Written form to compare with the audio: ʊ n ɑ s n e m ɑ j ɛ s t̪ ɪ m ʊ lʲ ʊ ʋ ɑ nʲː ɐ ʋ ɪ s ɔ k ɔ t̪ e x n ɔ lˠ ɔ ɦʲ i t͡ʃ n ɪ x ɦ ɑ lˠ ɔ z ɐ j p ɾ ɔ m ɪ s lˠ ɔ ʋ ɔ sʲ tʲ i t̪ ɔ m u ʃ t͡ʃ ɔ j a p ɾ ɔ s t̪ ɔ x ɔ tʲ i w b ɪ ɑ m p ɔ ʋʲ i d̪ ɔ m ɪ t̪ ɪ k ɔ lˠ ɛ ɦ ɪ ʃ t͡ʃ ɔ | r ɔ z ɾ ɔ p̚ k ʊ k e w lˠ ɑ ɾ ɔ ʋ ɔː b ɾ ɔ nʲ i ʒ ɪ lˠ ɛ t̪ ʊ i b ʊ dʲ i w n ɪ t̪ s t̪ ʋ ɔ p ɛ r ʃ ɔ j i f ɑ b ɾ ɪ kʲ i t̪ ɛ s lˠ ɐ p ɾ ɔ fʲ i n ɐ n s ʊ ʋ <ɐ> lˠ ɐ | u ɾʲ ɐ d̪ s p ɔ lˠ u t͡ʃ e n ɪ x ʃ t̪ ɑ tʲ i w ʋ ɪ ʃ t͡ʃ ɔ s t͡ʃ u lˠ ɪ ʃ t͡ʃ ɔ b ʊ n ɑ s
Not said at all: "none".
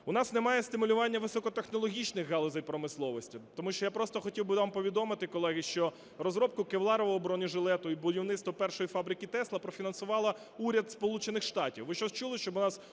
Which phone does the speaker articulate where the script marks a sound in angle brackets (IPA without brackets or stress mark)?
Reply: ɑ